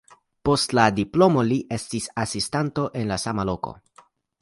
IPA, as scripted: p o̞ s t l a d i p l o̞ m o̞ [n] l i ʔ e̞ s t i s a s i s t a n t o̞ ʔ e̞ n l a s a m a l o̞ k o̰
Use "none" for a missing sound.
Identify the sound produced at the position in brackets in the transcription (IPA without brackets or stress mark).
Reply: none